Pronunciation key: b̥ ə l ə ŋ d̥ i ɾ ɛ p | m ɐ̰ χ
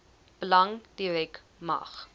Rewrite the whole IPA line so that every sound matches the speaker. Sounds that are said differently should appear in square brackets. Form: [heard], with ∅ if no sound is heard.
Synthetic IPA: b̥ ə l [ɐ] ŋ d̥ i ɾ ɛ [k] | m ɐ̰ χ